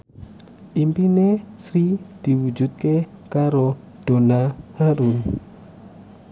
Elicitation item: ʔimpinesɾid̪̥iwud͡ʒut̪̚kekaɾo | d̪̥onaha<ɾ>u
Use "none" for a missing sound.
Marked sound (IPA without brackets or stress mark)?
ɾ